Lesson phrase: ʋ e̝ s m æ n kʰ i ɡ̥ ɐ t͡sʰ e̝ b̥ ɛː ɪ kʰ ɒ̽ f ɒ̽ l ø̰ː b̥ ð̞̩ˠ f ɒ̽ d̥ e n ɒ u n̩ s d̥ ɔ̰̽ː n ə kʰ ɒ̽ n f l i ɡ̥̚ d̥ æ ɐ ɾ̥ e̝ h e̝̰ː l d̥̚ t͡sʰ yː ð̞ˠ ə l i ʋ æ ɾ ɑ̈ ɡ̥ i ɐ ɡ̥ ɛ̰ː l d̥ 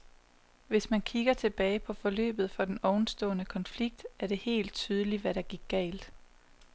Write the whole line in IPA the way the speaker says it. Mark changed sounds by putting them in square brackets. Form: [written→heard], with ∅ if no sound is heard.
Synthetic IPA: ʋ e̝ s m æ n kʰ i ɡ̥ ɐ t͡sʰ e̝ b̥ ɛː ɪ [kʰ→pʰ] ɒ̽ f ɒ̽ l ø̰ː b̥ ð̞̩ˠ f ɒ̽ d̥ e n ɒ [u→ʊ] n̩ s d̥ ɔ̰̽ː n ə kʰ ɒ̽ n f l i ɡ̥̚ d̥ æ ɐ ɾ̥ e̝ h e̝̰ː l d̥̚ t͡sʰ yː ð̞ˠ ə l i ʋ æ ɾ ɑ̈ ɡ̥ i ɐ ɡ̥ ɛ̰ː l d̥